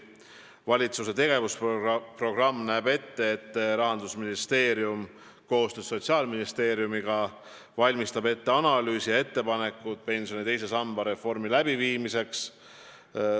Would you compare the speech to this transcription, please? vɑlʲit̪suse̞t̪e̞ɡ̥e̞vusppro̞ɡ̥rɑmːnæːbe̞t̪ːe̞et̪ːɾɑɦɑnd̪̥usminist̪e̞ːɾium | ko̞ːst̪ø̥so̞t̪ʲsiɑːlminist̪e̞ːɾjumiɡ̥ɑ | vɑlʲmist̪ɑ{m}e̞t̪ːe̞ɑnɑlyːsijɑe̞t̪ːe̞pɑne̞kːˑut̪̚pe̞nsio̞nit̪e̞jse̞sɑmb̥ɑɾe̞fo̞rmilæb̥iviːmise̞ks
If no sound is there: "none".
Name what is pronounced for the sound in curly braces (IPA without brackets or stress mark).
b